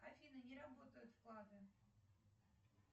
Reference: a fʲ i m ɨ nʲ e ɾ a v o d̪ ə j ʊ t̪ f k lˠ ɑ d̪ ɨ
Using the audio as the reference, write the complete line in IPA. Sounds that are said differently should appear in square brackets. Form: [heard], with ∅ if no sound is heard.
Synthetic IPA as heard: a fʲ i [n] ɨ nʲ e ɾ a [b] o [t̪] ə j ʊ t̪ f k lˠ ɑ d̪ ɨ